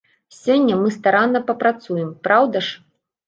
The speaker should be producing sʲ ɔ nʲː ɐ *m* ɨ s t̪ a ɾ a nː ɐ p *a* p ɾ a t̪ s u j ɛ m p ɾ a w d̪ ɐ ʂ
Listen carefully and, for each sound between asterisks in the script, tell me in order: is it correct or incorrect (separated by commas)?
correct, incorrect